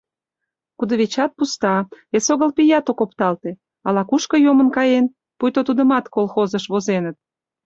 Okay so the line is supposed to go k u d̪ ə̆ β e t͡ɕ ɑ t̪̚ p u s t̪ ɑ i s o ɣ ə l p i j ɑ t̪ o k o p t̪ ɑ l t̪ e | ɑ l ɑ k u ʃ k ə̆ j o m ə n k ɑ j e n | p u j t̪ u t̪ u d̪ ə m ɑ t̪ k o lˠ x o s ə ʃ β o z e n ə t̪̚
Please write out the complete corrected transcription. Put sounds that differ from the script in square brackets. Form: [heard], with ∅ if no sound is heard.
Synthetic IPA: k u d̪ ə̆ β e t͡ɕ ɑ t̪̚ p u s t̪ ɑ [e] s o ɣ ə l p i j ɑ t̪ o k o p t̪ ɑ l t̪ e | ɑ l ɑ k u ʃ k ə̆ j o m ə n k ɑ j e n | p u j t̪ [o] t̪ u d̪ ə m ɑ t̪ k o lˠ x o [z] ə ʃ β o z e n ə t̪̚